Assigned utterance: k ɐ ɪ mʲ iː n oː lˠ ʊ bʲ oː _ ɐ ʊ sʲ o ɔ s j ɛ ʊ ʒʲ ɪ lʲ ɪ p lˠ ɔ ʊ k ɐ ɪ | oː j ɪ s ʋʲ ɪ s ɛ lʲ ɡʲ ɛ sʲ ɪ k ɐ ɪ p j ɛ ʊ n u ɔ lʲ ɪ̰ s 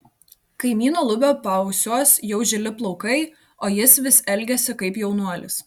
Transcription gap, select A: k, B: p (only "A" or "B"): B